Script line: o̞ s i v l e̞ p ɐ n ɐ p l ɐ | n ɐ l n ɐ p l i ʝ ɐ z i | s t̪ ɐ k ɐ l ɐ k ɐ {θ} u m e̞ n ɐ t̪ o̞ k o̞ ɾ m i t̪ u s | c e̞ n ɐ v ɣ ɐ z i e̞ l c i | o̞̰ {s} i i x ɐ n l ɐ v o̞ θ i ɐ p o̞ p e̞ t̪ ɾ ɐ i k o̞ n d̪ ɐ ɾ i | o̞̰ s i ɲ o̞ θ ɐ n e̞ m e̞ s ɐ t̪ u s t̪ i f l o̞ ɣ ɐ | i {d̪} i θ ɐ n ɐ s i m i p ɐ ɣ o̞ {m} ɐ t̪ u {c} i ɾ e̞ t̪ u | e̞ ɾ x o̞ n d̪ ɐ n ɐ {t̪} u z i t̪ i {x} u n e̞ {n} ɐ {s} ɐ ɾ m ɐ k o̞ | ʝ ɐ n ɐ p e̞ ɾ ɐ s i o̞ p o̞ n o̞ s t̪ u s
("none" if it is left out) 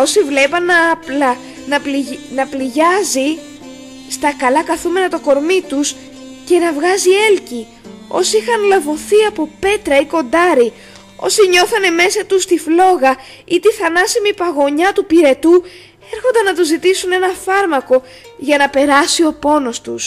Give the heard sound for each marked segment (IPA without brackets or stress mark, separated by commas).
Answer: θ, s, t̪, ɲ, p, t̪, s, n, f